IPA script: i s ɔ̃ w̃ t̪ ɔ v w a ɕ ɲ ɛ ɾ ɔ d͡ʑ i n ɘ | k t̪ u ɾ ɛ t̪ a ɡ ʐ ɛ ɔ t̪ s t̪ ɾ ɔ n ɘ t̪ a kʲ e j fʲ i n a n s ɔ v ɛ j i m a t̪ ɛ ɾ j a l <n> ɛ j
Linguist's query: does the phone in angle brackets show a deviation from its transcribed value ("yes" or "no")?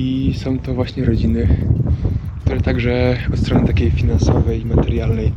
no